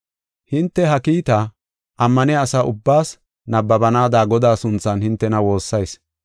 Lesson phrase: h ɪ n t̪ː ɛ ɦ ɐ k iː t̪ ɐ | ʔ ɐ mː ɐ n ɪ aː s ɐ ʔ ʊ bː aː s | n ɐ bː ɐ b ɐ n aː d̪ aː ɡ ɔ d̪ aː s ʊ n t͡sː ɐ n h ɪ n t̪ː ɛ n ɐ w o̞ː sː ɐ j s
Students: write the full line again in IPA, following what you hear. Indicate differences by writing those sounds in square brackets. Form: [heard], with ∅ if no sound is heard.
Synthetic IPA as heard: h ɪ n t̪ː ɛ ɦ ɐ k iː t̪ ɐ | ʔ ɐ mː ɐ n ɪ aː s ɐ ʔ ʊ bː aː s | n ɐ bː ɐ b ɐ n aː d̪ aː ɡ ɔ d̪ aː s ʊ n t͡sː ɐ n h ɪ n t̪ː ɛ n ɐ w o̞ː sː ɐ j s